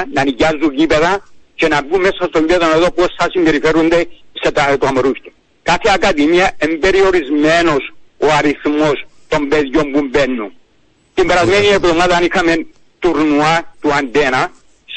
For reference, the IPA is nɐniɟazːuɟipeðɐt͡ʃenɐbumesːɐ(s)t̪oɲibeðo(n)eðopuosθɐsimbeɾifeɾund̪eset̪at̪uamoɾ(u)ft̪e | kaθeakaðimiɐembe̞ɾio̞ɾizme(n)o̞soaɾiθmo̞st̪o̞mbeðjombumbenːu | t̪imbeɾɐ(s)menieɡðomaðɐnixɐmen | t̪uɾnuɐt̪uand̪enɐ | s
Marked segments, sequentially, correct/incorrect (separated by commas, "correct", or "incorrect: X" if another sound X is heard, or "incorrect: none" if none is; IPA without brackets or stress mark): correct, correct, correct, correct, incorrect: z